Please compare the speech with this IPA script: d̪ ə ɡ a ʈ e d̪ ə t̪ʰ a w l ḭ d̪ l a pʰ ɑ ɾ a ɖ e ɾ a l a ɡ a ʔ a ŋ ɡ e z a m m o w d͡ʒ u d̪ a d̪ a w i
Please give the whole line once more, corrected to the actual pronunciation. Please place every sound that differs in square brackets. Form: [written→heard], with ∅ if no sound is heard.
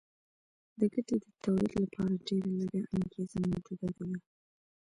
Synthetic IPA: d̪ ə ɡ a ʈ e d̪ ə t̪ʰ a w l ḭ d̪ l a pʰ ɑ ɾ a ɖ e ɾ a l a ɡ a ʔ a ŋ ɡ e z a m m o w d͡ʒ u d̪ a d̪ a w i

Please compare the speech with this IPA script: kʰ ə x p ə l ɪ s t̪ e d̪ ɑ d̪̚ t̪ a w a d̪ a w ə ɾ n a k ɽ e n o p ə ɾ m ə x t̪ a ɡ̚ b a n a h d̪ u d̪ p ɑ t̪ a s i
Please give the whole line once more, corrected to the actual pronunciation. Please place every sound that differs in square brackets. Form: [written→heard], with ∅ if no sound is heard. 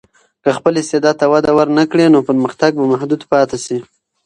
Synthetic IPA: [kʰ→k] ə x p ə l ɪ s t̪ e d̪ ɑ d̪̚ t̪ a w a d̪ a w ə ɾ n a k ɽ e n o p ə ɾ m ə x t̪ a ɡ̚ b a [n→m] a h d̪ u d̪ p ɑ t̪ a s i

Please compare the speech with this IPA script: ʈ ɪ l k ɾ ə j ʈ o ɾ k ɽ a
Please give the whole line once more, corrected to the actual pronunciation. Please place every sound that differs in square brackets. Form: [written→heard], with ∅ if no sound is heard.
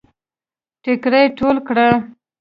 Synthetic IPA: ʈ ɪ [l→∅] k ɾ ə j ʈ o [ɾ→l] k ɽ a

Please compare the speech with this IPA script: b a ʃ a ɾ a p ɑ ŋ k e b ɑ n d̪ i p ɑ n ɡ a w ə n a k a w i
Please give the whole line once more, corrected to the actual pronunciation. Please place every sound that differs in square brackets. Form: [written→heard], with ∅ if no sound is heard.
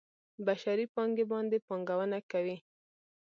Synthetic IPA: b a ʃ a ɾ [a→i] p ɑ ŋ [k→ɡ] e b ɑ n d̪ [i→e] p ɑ [n→ŋ] ɡ a w ə n a k a w i

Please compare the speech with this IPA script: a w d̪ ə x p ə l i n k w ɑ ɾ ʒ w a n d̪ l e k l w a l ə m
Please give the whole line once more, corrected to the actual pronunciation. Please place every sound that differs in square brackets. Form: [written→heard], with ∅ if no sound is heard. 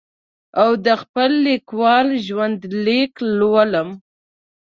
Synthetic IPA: a w d̪ ə x p ə [l→lː] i [n→∅] k w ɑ [ɾ→l] ʒ w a n d̪ l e k l w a l ə m

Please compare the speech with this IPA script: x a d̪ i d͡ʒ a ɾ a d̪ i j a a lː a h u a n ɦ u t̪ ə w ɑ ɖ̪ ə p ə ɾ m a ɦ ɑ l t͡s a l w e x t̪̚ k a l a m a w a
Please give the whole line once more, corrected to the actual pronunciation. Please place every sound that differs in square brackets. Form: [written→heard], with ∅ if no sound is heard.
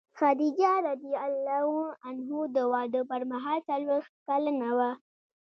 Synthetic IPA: x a d̪ i d͡ʒ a ɾ a d̪ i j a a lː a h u a n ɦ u [t̪→d̪] ə w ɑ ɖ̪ ə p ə ɾ m a ɦ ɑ l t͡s a l w e x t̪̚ k a l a [m→n] a w a

